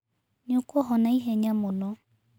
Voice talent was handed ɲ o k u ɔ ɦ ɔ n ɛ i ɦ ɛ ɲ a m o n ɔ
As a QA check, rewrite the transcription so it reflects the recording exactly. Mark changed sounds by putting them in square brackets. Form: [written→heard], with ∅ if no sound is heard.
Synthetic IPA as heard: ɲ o k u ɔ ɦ ɔ n [ɛ→a] i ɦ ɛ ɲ a m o n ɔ